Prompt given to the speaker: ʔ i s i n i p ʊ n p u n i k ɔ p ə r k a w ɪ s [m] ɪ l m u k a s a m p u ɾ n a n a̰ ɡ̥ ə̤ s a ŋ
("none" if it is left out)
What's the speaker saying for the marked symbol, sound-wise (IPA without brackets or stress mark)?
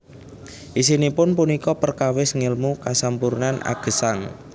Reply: ŋ